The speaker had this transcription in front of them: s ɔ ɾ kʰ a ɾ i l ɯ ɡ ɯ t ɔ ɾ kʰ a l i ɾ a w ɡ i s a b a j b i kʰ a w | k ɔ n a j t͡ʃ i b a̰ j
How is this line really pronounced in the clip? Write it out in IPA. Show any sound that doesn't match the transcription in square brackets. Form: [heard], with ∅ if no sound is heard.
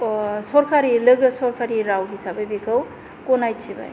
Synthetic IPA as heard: s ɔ ɾ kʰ a ɾ i l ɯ ɡ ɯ [s] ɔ ɾ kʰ a [ɾ] i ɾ a w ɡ i s a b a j b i kʰ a w | k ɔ n a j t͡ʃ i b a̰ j